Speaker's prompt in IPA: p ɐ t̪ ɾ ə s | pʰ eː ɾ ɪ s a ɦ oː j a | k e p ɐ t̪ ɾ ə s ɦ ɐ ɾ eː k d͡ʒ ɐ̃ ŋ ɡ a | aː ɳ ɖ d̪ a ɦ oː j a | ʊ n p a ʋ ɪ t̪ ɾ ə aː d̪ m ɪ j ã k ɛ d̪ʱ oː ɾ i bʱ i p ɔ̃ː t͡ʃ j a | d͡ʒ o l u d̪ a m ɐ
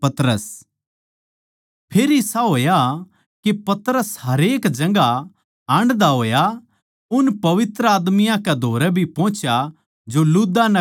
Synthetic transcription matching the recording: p ɐ t̪ ɾ ə s | pʰ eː ɾ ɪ s a ɦ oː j a | k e p ɐ t̪ ɾ ə s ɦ ɐ ɾ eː k d͡ʒ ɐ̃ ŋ ɡ a | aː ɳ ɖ d̪ a ɦ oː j a | ʊ n p ɐ ʋ ɪ t̪ ɾ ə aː d̪ m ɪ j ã k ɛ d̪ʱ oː ɾ ɛ bʱ i p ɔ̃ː t͡ʃ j a | d͡ʒ o l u d̪ a n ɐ

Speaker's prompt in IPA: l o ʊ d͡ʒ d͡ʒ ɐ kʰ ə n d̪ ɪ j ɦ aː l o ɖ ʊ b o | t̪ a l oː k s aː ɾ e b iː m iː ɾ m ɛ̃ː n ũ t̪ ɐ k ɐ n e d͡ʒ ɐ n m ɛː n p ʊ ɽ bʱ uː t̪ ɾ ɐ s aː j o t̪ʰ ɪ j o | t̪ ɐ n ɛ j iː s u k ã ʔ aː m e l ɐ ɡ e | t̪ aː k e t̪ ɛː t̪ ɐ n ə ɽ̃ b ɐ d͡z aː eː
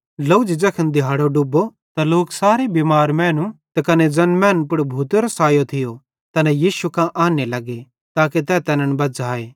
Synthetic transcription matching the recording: l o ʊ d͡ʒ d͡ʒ ɐ kʰ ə n d̪ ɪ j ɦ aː ɽ o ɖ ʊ b o | t̪ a l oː k s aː ɾ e b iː m aː ɾ m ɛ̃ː n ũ t̪ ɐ k ɐ n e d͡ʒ ɐ n m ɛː n p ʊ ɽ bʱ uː t̪ ɾ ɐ s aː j o t̪ʰ ɪ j o | t̪ ɐ n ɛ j iː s u k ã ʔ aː n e l ɐ ɡ e | t̪ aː k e t̪ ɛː t̪ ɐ n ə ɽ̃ b ɐ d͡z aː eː

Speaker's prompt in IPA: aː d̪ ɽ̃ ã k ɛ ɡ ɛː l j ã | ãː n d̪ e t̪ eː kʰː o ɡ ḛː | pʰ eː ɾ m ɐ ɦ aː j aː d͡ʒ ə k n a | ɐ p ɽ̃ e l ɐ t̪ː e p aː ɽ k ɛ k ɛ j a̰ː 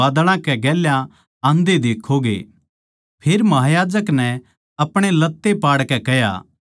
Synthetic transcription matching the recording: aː d̪ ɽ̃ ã k ɛ ɡ ɛː l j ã | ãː n d̪ e d̪ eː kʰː o ɡ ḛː | pʰ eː ɾ m ɐ ɦ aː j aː d͡ʒ ə k n ɛ | ɐ p ɽ̃ e l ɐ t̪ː e p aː ɽ k ɛ k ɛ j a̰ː

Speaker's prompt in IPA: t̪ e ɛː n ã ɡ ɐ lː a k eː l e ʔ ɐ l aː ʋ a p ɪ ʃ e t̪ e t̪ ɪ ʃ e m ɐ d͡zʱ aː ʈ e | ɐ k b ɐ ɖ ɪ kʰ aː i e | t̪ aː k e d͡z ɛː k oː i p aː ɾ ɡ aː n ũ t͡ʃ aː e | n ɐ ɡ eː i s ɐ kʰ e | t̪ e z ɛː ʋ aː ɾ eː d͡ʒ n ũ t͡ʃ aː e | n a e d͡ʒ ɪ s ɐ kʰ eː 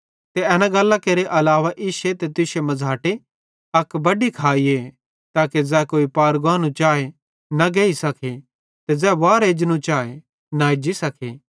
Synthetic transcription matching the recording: t̪ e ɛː n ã ɡ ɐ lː a k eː ɾ e ʔ ɐ l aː ʋ a ʔ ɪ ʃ e t̪ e t̪ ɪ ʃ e m ɐ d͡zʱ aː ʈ e | ɐ k b ɐ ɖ i kʰ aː i e | t̪ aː k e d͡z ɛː k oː i p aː ɾ ɡ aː n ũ t͡ʃ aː e | n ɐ ɡ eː i s ɐ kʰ e | t̪ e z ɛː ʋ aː ɾ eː d͡ʒ n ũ t͡ʃ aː e | n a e d͡ʒ i s ɐ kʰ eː

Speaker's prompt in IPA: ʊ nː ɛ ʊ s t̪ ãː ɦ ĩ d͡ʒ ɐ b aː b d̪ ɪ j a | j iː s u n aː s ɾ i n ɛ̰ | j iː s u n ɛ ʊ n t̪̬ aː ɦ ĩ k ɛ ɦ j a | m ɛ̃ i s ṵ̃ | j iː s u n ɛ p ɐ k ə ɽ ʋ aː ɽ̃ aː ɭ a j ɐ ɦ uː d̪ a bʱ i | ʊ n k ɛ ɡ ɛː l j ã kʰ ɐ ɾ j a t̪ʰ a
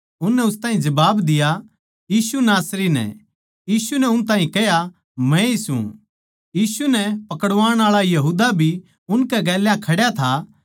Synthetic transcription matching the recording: ʊ nː ɛ ʊ s t̪ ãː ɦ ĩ d͡ʒ ɐ b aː b d̪ ɪ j a | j iː s u n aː s ɾ i n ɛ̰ | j iː s u n ɛ ʊ n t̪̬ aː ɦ ĩ k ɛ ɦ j a | m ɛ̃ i s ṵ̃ | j iː s u n ɛ p ɐ k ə ɽ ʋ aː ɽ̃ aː ɭ a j ɐ ɦ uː d̪ a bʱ i | ʊ n k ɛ ɡ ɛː l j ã kʰ ɐ ɽ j a t̪ʰ a

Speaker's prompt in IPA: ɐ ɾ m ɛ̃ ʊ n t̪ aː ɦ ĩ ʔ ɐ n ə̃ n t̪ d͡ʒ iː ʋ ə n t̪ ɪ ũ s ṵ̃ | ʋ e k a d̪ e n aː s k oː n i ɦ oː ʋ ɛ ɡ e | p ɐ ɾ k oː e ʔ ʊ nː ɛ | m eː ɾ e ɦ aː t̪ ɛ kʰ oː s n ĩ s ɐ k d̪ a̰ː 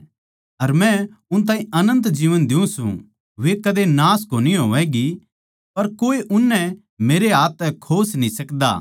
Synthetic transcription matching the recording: ɐ ɾ m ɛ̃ ʊ n t̪ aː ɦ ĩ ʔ ɐ n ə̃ n t̪ d͡ʒ iː ʋ ə n d̪ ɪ ũ s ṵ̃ | ʋ e k ɐ d̪ e n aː s k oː n i ɦ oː ʋ ɛ ɡ i | p ɐ ɾ k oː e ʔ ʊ nː ɛ | m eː ɾ e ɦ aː t̪ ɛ kʰ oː s n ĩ s ɐ k d̪ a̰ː

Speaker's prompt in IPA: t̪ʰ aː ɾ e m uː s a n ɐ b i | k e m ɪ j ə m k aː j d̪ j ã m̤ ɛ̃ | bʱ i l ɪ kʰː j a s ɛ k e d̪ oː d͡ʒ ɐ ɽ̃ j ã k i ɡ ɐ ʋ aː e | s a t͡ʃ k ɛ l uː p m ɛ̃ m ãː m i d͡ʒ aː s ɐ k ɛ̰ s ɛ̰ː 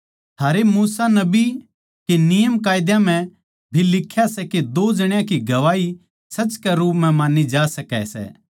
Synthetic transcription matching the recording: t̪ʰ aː ɾ e m uː s a n ɐ b i | k e n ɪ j ə m k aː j d̪ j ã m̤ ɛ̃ | bʱ i l ɪ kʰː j a s ɛ k e d̪ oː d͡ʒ ɐ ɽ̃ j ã k i ɡ ɐ ʋ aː i | s ɐ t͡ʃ k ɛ ɾ uː p m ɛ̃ m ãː n i d͡ʒ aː s ɐ k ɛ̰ s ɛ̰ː

